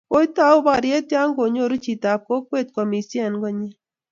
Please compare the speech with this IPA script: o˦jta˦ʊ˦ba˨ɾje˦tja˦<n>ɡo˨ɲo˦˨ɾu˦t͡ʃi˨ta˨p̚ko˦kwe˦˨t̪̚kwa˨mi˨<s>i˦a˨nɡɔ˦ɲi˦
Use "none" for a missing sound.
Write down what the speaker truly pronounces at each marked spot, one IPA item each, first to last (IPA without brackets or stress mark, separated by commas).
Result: ŋ, s